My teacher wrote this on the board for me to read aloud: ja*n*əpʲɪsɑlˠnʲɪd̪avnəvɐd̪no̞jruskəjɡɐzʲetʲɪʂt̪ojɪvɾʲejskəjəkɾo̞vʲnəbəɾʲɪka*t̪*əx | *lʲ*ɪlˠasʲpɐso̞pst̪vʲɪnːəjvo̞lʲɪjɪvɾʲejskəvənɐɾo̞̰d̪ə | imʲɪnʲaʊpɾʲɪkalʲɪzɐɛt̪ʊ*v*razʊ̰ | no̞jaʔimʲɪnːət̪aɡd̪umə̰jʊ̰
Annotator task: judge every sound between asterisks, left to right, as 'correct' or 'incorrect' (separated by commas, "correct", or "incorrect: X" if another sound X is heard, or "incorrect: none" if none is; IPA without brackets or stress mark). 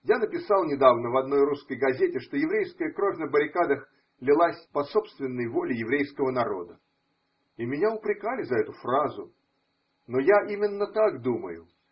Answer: correct, incorrect: d̪, correct, incorrect: f